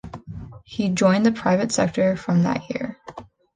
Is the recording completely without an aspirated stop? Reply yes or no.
no